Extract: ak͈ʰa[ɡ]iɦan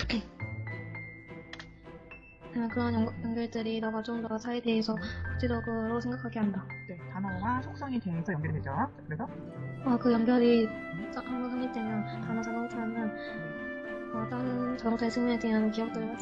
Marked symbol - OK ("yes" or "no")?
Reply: yes